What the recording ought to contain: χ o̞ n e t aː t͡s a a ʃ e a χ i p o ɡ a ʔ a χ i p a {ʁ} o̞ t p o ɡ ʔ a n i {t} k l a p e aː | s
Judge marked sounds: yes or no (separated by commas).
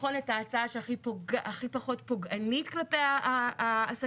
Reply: no, yes